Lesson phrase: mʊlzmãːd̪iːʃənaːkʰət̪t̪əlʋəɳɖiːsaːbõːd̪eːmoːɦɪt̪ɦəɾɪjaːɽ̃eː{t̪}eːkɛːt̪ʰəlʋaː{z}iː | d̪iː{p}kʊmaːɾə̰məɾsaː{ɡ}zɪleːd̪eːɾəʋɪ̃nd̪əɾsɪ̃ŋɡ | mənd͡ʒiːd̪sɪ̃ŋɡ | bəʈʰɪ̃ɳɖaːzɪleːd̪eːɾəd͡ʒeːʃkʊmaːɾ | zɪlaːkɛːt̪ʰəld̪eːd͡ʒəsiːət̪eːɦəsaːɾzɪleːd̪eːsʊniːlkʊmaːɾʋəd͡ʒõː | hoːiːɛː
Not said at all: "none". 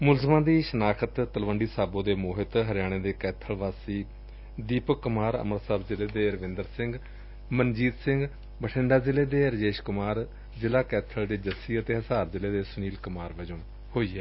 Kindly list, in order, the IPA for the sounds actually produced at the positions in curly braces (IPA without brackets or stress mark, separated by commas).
d̪, s, p, b